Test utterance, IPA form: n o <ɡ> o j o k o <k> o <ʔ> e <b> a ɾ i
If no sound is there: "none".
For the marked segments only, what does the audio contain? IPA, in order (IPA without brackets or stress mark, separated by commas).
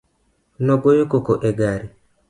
ɡ, k, ʔ, ɡ